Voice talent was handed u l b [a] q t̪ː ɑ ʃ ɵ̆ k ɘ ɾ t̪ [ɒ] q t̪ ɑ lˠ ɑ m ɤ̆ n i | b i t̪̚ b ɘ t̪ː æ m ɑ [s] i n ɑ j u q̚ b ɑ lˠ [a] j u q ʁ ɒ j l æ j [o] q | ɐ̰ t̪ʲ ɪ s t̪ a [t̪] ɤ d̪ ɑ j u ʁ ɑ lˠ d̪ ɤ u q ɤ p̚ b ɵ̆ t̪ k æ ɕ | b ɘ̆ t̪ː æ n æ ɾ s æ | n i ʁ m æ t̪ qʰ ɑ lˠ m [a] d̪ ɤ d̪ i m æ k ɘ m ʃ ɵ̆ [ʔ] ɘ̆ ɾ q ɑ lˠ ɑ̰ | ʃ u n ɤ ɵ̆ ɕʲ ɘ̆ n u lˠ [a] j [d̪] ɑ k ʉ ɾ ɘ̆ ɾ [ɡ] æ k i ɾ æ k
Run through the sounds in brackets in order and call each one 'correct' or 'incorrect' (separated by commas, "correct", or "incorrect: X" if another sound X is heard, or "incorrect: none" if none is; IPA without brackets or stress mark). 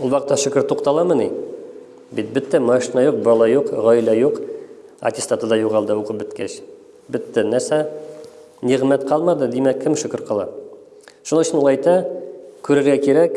incorrect: ɑ, incorrect: u, incorrect: ʃ, incorrect: ɑ, incorrect: u, correct, incorrect: ɑ, incorrect: k, incorrect: ɑ, incorrect: t̪, correct